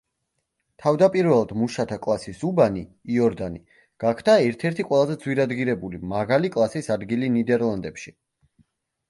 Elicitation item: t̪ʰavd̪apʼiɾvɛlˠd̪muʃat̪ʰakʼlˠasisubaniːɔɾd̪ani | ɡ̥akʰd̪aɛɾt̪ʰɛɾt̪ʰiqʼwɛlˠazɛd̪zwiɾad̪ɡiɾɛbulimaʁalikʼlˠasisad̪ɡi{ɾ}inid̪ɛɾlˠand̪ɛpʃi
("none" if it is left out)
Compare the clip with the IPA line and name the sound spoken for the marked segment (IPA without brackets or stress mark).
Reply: l